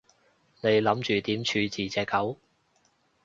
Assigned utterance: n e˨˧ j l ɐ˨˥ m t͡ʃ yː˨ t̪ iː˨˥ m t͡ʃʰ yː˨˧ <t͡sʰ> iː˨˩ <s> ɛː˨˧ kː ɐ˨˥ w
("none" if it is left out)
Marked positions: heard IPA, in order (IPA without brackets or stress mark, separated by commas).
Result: t͡s, t͡s